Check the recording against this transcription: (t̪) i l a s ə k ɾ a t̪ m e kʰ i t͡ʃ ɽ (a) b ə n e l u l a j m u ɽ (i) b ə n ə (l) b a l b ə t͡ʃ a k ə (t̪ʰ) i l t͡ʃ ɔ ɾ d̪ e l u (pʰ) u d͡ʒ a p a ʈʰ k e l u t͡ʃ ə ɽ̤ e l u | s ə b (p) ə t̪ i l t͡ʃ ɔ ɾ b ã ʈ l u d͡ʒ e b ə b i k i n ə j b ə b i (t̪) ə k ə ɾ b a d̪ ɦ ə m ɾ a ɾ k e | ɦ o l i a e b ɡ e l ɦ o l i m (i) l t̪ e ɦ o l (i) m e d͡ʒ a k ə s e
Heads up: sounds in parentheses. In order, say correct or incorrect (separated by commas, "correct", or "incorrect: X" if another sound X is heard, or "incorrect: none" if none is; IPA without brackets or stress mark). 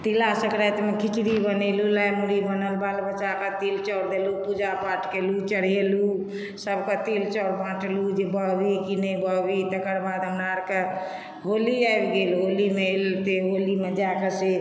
correct, incorrect: i, correct, correct, incorrect: t̪, incorrect: p, incorrect: k, correct, incorrect: e, correct